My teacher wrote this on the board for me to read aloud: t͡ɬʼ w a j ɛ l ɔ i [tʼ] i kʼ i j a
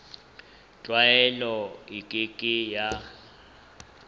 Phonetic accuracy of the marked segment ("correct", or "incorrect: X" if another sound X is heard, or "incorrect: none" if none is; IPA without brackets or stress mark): incorrect: kʼ